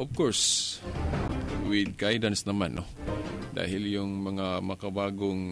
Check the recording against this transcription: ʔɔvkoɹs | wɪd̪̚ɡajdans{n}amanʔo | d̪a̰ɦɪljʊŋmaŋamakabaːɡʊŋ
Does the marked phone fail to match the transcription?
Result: no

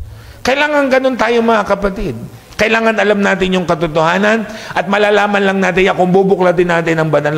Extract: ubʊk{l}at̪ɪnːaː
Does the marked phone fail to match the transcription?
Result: no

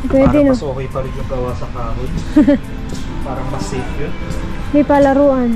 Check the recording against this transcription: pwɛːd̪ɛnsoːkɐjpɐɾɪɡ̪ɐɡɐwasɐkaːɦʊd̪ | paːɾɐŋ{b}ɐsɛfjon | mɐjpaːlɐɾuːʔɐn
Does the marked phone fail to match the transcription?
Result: yes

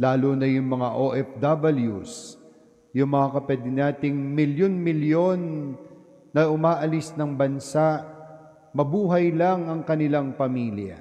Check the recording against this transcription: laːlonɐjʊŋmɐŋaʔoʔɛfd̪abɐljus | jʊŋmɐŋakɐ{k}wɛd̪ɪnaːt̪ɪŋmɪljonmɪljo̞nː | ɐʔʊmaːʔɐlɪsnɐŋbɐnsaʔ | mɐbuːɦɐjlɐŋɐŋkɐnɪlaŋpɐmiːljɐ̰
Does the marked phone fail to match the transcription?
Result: yes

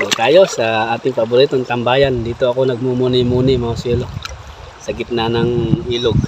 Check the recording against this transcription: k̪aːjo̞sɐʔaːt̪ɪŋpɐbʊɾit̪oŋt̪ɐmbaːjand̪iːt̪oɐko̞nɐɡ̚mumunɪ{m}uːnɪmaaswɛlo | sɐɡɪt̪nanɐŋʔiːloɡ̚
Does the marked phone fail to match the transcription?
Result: no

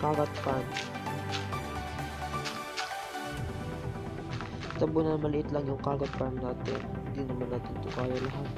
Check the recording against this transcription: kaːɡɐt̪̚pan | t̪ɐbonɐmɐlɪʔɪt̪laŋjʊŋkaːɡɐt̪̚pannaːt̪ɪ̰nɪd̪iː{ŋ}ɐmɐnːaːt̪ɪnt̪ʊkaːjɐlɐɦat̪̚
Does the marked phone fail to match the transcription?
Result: yes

